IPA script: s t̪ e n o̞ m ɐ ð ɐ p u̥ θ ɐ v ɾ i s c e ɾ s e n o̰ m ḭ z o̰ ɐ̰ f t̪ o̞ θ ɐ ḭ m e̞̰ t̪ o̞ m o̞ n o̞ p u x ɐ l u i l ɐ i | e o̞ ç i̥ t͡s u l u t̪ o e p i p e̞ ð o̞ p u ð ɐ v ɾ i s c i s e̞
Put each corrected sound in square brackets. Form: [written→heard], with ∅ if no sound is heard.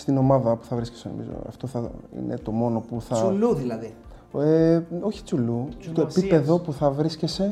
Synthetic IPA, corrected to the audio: s t̪ [e→i] n o̞ m ɐ ð ɐ p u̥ θ ɐ v ɾ i s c e [ɾ→∅] s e n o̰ m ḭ z o̰ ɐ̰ f t̪ o̞ θ ɐ ḭ [m→n] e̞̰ t̪ o̞ m o̞ n o̞ p u [x→θ] ɐ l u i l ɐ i | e o̞ ç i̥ t͡s u l u t̪ o e p i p e̞ ð o̞ p u [ð→θ] ɐ v ɾ i s c [i→e] s e̞